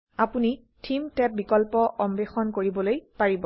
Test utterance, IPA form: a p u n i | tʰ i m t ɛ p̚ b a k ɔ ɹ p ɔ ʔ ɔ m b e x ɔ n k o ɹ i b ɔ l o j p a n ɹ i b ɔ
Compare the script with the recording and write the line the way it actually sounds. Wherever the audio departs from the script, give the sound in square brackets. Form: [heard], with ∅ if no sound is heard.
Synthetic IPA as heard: a p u n i | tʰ i m t ɛ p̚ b [i] k ɔ [l] p ɔ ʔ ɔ m b e x ɔ n k o ɹ i b ɔ l o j p a [∅] ɹ i b ɔ